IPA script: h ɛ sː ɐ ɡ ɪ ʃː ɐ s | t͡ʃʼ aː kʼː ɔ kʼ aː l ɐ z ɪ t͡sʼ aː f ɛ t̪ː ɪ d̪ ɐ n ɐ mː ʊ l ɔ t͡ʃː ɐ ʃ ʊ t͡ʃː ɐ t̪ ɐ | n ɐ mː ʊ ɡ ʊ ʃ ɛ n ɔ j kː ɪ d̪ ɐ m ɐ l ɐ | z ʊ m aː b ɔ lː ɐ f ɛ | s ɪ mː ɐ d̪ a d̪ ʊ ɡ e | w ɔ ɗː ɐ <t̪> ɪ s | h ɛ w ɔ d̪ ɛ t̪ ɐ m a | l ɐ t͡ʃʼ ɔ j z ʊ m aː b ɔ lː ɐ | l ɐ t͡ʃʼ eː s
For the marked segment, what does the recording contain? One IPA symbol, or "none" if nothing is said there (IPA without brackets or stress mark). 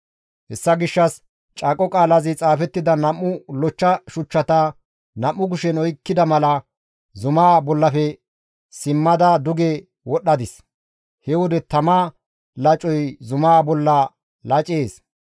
d̪